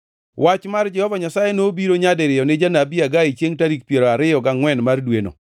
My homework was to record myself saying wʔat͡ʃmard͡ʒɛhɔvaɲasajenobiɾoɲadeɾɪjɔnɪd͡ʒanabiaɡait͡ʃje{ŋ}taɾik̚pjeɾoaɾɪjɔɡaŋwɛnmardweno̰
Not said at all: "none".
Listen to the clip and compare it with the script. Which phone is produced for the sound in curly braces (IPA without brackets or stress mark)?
ŋ